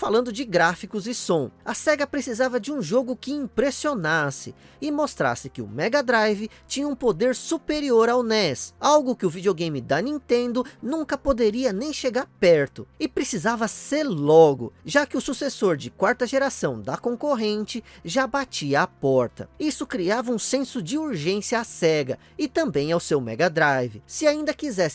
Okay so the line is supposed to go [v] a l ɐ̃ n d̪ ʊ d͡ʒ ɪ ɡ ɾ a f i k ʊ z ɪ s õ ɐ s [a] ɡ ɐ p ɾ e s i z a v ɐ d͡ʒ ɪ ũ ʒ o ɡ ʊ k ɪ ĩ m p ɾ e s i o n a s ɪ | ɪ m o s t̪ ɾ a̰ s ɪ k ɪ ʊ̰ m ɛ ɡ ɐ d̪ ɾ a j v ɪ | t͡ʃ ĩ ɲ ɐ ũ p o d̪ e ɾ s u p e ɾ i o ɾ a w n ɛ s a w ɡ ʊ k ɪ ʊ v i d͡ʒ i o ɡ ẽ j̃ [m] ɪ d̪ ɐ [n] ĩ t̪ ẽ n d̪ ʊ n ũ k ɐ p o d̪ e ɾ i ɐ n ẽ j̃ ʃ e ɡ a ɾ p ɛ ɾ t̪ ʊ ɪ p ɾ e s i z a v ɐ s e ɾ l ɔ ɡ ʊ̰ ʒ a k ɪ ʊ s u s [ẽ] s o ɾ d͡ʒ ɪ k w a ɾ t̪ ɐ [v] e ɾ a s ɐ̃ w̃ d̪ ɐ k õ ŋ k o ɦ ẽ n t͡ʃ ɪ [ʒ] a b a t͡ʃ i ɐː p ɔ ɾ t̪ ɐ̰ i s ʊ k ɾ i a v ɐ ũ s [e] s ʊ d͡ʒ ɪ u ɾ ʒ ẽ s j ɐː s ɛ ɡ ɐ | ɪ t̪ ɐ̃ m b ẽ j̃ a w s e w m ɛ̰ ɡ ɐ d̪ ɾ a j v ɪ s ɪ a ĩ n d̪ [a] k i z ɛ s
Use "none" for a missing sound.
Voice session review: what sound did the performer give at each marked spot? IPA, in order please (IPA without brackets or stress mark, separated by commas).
f, ɛ, m, n, e, ʒ, ʒ, ẽ, ɐ